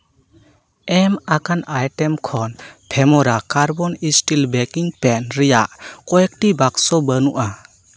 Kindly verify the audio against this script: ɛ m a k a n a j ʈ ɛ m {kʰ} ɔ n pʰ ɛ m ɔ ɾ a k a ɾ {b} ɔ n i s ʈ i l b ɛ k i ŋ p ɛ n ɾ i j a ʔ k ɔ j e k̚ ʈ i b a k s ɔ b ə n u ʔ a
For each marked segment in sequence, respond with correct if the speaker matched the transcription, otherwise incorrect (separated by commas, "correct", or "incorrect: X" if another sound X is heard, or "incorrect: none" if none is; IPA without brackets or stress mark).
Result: correct, correct